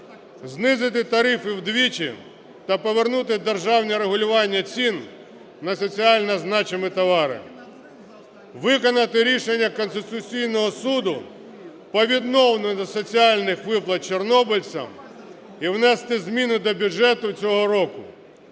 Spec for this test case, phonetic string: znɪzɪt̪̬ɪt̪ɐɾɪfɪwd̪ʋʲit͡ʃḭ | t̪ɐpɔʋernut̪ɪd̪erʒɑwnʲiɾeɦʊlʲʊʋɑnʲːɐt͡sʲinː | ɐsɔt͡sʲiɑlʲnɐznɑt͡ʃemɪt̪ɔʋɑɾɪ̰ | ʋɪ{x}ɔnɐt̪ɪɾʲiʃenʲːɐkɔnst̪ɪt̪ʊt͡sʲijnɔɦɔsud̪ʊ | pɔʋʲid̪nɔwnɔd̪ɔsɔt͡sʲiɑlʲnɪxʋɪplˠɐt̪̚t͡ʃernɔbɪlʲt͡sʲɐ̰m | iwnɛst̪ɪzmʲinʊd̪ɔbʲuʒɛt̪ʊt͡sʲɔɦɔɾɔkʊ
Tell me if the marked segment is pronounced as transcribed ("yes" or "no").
no